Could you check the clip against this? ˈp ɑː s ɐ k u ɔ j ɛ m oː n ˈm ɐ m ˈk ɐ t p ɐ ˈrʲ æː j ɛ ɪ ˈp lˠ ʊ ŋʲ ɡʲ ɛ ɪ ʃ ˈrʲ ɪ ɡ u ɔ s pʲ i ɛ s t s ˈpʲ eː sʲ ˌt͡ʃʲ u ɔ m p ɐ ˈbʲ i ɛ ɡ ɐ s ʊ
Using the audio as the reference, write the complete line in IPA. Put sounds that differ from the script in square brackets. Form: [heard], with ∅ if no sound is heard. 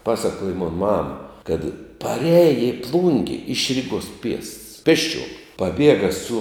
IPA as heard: ˈp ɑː s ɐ k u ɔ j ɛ m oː n ˈm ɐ m ˈk ɐ t p ɐ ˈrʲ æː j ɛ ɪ ˈp lˠ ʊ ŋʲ ɡʲ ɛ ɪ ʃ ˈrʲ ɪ ɡ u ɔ s pʲ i ɛ s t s ˈpʲ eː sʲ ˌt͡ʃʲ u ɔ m p ɐ ˈbʲ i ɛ ɡ ɐ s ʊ